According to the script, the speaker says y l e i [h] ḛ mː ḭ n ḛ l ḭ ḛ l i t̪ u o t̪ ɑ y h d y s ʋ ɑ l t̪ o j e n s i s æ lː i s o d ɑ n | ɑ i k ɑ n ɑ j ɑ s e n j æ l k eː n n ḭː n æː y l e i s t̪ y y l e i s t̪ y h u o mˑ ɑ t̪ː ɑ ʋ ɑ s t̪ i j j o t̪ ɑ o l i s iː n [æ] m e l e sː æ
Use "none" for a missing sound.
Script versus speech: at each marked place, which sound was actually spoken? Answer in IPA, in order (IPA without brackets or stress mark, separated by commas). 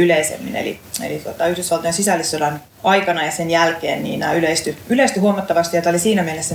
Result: s, æ